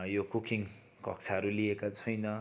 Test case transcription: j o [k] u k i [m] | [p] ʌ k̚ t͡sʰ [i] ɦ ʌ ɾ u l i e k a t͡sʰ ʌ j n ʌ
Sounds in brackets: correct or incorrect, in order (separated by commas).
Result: correct, incorrect, incorrect, incorrect